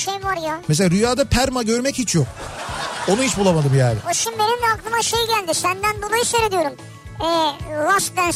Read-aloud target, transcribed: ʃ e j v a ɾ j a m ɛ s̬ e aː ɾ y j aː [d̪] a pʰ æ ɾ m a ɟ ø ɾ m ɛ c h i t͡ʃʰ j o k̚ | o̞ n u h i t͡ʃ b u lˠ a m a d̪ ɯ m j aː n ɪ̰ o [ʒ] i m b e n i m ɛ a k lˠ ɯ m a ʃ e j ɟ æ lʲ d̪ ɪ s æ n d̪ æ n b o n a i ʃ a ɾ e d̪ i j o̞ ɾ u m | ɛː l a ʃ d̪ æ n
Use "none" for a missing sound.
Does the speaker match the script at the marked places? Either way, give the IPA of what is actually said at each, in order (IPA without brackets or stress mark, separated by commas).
d̪, ʃ